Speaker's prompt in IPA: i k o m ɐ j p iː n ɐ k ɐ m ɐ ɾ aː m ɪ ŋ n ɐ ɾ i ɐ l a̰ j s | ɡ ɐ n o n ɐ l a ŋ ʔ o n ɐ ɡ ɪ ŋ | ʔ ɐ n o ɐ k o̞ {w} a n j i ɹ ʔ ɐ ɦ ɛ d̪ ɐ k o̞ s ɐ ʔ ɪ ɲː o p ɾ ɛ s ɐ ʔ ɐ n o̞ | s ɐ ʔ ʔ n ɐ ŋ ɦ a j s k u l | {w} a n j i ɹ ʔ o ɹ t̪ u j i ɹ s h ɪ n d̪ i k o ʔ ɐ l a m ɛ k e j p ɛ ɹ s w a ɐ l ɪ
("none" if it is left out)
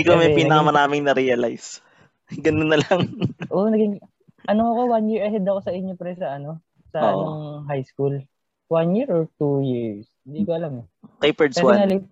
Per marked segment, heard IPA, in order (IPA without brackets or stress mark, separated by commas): w, w